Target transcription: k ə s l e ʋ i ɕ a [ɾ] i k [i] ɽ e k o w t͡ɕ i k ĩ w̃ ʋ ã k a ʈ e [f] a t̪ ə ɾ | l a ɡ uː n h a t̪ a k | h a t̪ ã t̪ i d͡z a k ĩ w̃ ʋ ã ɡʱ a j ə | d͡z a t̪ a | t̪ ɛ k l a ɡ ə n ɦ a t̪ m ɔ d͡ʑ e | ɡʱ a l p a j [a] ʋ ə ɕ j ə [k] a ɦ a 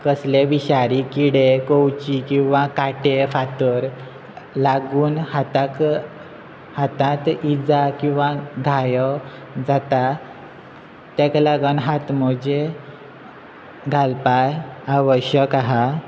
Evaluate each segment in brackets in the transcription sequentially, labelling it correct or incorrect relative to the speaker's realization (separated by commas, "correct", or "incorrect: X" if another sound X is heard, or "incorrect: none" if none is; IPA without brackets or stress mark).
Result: correct, correct, correct, correct, correct